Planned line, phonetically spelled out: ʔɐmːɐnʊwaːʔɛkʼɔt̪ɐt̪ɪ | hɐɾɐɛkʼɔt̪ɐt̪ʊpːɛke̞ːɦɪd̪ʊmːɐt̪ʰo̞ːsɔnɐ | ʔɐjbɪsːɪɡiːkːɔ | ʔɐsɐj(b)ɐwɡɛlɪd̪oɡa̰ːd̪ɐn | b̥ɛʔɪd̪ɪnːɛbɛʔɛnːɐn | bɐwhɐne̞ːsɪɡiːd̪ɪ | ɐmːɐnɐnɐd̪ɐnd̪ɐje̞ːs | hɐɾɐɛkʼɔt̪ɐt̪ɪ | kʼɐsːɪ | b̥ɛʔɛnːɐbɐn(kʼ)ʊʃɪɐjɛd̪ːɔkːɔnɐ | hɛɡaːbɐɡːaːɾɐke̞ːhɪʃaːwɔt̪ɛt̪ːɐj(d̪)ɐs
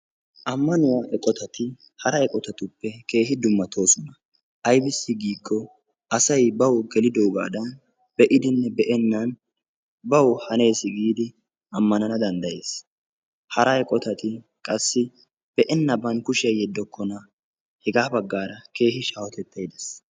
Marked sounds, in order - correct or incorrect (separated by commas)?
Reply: correct, incorrect, correct